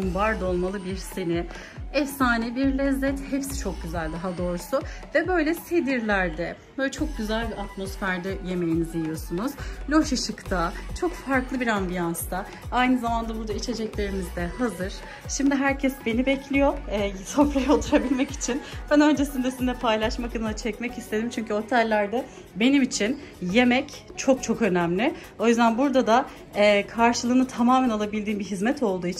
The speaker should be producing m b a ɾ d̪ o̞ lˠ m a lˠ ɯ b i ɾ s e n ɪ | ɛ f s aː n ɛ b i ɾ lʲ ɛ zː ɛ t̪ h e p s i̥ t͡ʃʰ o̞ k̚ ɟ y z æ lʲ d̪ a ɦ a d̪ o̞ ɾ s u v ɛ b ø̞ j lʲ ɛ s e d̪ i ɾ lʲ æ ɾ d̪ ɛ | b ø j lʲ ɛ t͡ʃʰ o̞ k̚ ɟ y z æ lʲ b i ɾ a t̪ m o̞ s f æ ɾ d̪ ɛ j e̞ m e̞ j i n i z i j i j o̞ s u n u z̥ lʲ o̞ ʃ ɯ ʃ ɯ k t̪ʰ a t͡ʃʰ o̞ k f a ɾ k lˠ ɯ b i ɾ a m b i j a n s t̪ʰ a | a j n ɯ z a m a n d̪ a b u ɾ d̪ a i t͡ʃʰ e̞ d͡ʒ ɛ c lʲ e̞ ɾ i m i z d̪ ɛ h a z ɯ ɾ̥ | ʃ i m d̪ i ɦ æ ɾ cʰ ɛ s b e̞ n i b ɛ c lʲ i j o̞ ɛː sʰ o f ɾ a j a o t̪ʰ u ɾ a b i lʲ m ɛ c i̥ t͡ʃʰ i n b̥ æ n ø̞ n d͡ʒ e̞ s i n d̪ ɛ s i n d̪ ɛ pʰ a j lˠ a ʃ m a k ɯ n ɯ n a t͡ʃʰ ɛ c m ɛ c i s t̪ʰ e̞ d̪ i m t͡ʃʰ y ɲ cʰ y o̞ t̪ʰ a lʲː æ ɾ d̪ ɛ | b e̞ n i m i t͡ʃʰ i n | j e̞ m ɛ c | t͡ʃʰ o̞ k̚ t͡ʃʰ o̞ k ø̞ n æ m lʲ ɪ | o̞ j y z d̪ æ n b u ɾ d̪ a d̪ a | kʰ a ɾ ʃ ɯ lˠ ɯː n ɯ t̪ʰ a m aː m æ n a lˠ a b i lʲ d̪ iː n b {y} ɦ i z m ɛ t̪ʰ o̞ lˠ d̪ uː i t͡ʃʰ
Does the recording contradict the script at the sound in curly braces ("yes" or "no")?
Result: yes